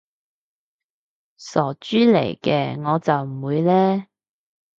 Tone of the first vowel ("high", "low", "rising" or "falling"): low